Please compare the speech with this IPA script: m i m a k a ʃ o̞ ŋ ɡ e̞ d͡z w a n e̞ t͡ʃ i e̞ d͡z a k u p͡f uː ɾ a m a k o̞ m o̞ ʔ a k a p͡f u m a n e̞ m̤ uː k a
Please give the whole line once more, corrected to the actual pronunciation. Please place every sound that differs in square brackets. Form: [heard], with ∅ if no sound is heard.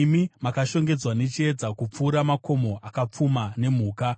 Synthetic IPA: m i m a k a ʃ o̞ ŋ ɡ e̞ d͡z w a n e̞ t͡ʃ i e̞ d͡z a k u p͡f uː ɾ a m a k o̞ m o̞ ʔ a k a p͡f u m a n e̞ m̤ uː k a